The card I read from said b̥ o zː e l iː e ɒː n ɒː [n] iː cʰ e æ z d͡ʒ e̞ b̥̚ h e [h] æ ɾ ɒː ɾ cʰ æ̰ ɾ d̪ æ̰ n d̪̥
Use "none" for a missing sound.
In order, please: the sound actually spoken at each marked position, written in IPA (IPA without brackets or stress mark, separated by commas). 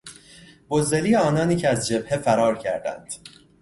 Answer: n, f